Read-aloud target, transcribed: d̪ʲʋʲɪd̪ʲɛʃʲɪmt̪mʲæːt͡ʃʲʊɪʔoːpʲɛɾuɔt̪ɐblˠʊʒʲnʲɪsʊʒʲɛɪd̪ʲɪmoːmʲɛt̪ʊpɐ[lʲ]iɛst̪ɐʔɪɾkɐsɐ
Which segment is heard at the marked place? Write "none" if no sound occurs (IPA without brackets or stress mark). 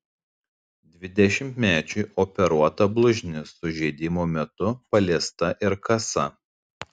lʲ